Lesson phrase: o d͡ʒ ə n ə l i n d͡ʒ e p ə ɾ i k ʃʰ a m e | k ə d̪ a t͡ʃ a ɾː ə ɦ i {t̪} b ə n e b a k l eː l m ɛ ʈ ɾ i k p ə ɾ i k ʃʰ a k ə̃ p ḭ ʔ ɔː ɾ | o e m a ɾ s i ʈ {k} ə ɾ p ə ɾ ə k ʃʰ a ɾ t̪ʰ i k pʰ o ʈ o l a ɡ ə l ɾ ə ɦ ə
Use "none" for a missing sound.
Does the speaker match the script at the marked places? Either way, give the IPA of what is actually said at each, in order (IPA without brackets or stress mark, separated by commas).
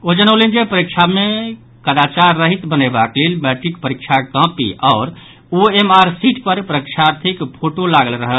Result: t̪, p